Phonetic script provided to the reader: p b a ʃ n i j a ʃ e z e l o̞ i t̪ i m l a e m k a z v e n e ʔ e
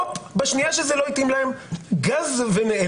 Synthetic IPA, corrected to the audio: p b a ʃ n i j a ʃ e z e l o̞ i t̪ i m l a e m ɡ a z v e n e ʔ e